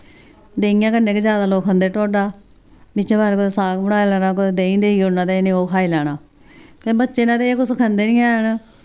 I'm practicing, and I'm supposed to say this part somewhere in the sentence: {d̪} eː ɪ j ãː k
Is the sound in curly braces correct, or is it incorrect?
correct